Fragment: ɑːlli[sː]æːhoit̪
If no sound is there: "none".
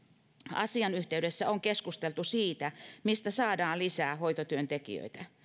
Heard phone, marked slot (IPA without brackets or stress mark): s